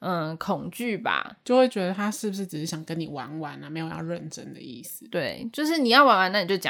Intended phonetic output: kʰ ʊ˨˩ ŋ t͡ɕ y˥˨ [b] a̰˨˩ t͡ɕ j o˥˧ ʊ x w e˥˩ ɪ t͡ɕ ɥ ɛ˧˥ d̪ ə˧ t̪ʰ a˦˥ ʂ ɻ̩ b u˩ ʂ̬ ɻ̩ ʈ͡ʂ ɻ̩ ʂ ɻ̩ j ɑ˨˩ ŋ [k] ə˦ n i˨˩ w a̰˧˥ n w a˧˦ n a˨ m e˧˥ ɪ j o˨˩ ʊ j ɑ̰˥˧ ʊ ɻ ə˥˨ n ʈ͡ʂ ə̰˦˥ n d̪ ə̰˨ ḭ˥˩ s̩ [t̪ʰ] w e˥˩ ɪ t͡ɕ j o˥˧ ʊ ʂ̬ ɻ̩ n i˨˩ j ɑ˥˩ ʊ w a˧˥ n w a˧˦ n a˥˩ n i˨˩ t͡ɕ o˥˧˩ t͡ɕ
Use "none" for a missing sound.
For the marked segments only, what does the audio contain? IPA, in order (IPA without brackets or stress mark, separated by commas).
b, k, t̪